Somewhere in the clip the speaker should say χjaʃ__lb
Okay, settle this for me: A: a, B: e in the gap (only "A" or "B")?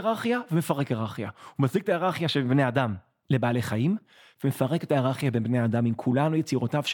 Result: B